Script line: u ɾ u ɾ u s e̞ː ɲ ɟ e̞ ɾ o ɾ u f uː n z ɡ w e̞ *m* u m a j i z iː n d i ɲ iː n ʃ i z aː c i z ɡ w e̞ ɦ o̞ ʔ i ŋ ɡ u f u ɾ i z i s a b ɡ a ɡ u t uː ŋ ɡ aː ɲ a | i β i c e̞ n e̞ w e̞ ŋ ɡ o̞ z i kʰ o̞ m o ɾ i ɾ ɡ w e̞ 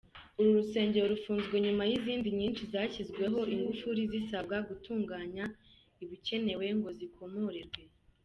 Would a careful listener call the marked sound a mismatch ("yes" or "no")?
yes